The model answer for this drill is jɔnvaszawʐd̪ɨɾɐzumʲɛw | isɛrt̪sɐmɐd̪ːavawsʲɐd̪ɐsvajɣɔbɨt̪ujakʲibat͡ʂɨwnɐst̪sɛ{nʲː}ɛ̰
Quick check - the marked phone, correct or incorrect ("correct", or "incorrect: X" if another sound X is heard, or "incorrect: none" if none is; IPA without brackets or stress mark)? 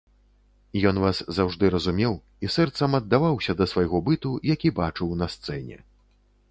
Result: incorrect: nʲ